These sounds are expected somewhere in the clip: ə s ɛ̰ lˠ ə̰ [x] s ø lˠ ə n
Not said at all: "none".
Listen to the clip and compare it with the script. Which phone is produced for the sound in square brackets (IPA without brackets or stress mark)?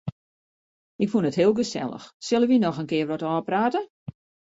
x